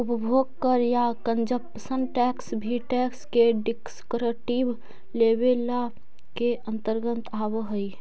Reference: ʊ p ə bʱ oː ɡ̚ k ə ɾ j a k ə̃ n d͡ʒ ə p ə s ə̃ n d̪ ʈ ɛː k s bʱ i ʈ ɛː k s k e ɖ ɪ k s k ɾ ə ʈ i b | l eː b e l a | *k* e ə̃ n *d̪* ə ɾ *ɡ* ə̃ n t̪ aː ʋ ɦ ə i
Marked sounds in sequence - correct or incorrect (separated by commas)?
correct, incorrect, correct